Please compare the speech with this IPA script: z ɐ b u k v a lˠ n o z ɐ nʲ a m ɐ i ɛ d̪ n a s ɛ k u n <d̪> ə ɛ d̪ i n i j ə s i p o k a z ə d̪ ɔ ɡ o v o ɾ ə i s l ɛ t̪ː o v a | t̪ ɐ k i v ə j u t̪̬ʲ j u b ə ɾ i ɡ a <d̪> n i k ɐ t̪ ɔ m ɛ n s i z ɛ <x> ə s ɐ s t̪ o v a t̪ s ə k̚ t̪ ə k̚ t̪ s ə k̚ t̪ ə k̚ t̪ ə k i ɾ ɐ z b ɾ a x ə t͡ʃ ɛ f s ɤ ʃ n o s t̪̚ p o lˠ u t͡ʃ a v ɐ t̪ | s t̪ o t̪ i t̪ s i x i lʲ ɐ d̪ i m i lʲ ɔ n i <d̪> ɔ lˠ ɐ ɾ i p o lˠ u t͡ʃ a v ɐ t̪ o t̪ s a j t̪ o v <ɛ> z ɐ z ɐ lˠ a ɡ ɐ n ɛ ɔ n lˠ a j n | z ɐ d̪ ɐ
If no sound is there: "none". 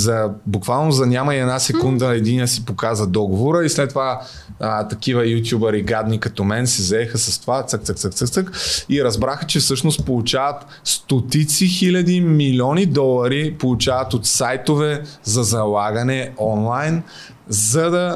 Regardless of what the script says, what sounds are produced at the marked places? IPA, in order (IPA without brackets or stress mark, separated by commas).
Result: d̪, d̪, x, d̪, ɛ